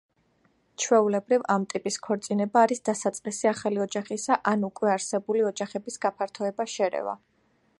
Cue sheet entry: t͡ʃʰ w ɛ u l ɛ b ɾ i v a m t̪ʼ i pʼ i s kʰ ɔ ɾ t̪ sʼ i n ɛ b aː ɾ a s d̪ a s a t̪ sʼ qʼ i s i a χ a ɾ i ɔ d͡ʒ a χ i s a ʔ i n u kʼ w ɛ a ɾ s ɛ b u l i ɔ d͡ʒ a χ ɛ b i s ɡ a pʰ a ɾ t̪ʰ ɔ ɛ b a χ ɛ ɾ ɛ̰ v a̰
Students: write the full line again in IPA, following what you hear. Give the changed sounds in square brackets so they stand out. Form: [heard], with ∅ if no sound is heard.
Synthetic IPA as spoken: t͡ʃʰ w ɛ u l ɛ b ɾ i v a m t̪ʼ i pʼ i s kʰ ɔ ɾ t̪ sʼ i n ɛ b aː ɾ [i] s d̪ a s a t̪ sʼ qʼ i s i a χ a [l] i ɔ d͡ʒ a χ i s a ʔ [a] n u kʼ w ɛ a ɾ s ɛ b u l i ɔ d͡ʒ a χ ɛ b i s ɡ a pʰ a ɾ t̪ʰ ɔ ɛ b a [ʃ] ɛ ɾ ɛ̰ v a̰